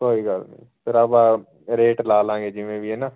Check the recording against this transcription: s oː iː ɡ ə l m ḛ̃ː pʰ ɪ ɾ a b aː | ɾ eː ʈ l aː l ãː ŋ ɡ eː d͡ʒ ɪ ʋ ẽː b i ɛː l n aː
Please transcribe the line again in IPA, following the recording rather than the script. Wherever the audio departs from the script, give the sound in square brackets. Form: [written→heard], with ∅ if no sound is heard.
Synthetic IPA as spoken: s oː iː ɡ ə l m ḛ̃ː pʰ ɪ ɾ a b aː | ɾ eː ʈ l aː l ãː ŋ ɡ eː d͡ʒ ɪ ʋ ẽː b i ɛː [l→∅] n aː